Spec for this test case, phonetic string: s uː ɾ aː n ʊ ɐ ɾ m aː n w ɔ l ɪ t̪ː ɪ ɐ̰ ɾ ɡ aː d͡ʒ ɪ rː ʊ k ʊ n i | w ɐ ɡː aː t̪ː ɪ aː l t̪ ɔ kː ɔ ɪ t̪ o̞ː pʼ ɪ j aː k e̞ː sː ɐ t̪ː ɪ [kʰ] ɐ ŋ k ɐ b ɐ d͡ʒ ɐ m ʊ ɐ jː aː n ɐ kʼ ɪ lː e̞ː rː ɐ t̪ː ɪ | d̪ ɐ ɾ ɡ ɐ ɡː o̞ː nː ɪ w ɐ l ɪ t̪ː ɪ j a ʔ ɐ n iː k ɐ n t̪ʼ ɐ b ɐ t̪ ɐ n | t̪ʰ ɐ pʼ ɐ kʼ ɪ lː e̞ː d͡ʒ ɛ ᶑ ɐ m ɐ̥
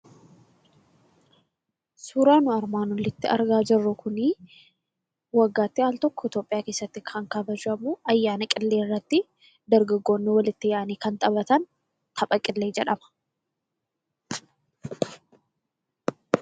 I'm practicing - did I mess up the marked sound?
no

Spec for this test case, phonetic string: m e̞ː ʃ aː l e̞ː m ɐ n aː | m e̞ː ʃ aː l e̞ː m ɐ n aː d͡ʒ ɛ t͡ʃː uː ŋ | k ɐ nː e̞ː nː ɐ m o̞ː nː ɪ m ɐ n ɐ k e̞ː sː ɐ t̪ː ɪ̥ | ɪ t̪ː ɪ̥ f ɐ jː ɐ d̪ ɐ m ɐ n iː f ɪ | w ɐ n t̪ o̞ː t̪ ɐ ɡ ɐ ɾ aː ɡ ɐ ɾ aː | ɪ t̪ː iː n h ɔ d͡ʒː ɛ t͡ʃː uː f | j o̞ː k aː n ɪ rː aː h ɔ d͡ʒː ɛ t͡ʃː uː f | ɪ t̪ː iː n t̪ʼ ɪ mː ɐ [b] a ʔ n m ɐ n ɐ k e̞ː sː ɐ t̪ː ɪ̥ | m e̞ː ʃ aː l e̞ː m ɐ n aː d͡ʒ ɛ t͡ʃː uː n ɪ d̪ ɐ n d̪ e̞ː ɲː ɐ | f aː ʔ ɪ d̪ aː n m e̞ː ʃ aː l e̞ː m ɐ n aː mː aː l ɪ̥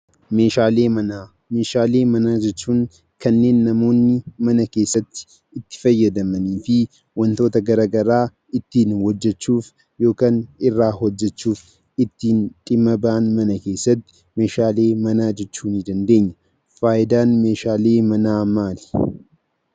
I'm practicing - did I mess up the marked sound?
no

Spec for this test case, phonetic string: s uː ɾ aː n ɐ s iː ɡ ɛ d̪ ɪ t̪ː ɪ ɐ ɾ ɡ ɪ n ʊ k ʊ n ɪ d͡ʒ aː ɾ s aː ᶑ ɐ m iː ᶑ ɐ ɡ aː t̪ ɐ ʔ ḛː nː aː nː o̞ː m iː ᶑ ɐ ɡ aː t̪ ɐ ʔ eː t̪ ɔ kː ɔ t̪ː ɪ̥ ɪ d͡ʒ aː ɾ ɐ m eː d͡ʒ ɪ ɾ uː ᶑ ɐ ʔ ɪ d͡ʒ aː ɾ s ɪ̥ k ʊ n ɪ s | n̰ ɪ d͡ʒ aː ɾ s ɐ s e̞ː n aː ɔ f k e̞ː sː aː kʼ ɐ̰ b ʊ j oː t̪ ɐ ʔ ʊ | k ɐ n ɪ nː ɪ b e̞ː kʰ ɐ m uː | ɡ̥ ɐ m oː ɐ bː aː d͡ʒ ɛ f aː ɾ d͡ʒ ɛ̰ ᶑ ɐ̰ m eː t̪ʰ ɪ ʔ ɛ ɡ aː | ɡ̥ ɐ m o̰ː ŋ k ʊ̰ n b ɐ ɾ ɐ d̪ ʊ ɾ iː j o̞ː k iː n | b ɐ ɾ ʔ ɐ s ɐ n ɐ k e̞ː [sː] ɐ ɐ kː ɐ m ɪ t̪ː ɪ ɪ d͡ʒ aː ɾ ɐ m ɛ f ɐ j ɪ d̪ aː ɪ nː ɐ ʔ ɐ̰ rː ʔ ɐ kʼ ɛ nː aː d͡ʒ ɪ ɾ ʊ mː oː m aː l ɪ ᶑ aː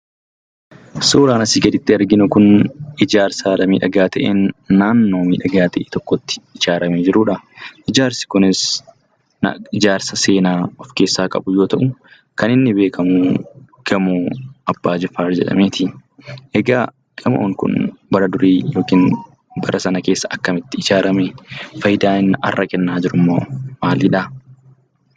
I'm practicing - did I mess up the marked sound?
no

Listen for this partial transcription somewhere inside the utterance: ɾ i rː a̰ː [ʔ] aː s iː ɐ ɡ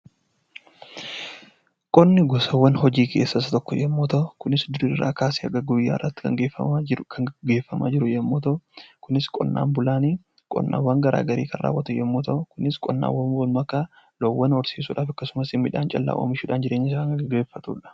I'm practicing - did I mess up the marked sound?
yes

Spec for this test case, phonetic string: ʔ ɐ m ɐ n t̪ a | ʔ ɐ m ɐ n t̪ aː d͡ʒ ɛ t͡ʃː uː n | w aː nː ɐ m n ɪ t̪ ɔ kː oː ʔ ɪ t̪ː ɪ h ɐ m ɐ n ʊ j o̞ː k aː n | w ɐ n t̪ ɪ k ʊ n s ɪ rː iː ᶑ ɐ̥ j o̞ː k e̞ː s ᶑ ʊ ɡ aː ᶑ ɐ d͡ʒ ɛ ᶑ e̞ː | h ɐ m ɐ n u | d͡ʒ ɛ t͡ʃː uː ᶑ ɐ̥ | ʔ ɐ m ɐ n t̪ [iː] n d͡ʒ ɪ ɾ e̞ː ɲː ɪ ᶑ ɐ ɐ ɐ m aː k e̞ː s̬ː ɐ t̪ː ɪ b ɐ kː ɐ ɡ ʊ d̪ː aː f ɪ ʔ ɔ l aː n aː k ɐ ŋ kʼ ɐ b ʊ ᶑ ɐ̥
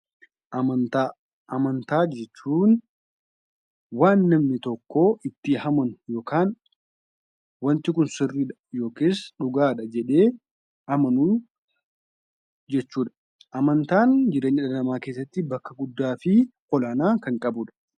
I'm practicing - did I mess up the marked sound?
yes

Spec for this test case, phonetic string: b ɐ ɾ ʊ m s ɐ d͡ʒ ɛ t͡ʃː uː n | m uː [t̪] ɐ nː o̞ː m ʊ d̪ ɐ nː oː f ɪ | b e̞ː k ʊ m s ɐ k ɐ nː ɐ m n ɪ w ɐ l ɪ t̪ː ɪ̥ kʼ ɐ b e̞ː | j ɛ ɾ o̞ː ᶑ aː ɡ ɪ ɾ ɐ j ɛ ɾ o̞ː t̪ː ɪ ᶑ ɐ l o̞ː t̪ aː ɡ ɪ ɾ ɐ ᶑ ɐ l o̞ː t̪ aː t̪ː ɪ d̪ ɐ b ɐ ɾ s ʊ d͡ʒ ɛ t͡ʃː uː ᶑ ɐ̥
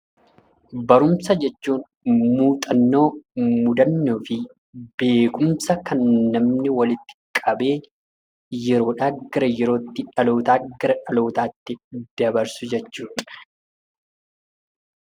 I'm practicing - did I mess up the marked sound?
yes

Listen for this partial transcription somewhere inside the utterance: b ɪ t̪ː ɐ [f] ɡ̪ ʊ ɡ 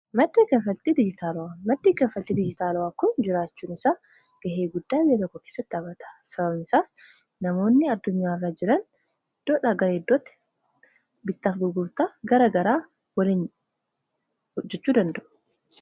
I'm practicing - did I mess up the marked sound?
no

